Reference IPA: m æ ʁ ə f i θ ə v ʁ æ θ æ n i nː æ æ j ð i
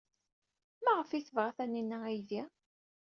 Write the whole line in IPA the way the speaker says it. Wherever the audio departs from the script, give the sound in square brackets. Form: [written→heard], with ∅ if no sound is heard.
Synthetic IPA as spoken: m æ ʁ ə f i θ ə v ʁ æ θ æ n i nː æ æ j ð i